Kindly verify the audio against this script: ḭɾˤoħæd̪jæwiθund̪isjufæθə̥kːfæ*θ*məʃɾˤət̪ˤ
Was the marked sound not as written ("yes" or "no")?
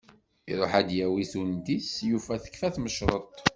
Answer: no